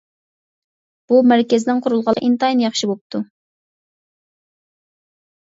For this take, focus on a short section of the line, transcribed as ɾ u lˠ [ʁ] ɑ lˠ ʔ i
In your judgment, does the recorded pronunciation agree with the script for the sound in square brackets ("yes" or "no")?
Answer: yes